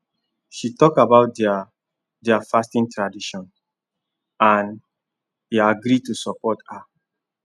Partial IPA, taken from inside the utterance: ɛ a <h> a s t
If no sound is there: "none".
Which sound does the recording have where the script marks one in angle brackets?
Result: f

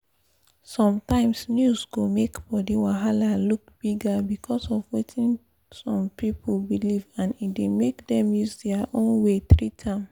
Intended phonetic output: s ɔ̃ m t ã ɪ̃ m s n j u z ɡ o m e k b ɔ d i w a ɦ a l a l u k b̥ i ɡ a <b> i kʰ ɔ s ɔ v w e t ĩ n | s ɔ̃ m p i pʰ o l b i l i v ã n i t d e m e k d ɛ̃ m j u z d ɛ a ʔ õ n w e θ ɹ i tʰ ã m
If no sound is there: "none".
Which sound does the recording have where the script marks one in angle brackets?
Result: b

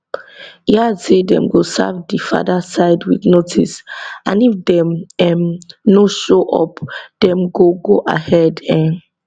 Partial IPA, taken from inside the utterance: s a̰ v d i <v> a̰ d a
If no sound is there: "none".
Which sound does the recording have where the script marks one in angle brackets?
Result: f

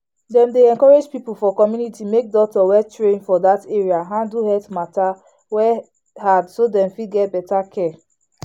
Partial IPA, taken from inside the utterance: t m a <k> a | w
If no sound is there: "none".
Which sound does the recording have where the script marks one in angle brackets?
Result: t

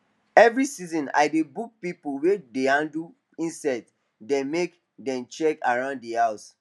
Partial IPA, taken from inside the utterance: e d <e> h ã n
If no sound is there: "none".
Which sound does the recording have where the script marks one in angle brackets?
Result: e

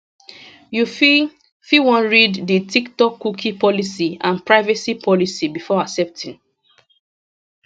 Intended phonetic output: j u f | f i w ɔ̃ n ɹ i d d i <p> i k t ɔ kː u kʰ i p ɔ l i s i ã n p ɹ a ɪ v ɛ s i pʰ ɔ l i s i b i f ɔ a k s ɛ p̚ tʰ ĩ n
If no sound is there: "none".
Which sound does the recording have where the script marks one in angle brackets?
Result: t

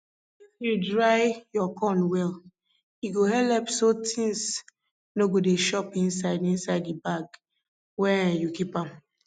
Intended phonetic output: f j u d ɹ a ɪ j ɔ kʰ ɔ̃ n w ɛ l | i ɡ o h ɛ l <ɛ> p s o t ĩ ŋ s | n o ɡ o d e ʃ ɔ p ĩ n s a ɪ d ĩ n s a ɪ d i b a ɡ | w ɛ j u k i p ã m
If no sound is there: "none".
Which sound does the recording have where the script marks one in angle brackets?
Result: ɛ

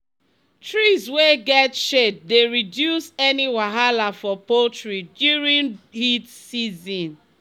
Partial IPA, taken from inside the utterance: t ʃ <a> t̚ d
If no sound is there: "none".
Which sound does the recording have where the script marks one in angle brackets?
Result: e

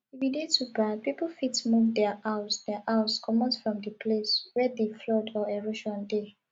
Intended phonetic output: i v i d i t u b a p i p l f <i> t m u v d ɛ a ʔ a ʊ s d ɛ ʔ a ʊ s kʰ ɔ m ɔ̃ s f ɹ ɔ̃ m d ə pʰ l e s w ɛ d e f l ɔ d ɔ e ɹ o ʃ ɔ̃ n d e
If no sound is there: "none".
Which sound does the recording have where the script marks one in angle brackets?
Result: i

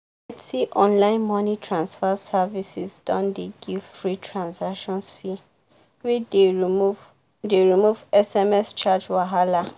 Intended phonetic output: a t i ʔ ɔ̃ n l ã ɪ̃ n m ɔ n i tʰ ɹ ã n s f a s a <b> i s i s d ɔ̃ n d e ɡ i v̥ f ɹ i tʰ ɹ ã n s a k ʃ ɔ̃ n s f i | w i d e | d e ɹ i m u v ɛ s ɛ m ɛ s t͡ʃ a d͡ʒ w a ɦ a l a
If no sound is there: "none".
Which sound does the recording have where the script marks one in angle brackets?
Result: v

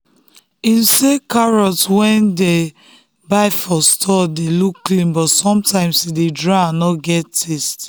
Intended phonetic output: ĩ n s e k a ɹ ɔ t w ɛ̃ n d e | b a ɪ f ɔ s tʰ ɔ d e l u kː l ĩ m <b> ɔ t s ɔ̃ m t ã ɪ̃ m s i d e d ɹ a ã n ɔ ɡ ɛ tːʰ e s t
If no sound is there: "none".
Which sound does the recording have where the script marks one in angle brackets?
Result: b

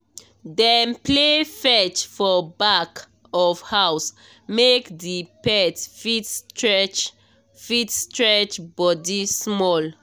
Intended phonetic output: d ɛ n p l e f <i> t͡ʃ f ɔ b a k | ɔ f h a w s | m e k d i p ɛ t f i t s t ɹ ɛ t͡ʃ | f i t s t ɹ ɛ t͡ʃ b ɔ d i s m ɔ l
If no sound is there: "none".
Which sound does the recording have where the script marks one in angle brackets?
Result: ɛ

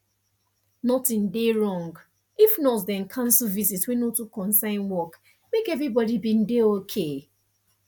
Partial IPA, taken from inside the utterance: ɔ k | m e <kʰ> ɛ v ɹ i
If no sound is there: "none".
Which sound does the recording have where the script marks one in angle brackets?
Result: k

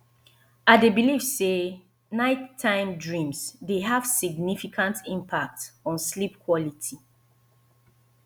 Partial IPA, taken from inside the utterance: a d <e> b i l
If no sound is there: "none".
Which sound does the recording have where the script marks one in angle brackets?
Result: e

